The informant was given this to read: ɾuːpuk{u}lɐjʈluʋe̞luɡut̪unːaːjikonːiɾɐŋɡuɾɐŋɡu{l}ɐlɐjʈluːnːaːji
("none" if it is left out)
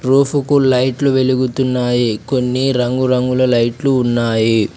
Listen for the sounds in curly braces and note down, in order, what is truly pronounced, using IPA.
u, l

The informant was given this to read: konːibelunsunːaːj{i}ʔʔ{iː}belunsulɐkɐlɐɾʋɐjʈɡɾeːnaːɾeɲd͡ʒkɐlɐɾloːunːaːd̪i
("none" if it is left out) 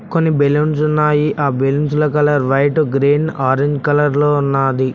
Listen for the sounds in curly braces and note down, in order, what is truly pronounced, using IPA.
i, aː

